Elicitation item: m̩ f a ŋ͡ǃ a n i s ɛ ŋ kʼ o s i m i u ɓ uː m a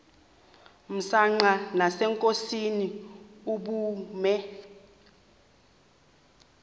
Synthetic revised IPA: m̩ s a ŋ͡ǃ a n a s ɛ ŋ kʼ o s i n i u ɓ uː m ɛ